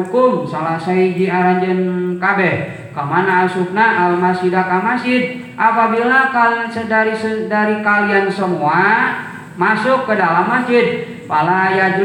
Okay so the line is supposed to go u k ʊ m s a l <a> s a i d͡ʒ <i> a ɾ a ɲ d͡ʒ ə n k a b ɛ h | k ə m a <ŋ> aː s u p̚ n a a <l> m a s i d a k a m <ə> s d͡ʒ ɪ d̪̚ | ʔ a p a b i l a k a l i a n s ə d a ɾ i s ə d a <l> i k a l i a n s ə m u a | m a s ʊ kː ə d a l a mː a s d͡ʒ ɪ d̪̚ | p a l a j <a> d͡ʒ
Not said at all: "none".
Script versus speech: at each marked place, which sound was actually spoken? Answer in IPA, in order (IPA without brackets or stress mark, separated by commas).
a, i, n, l, a, ɾ, a